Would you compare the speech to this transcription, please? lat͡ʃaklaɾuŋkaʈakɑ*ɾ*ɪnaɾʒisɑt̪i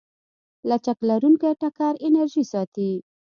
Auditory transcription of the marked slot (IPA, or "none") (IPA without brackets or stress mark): ɾ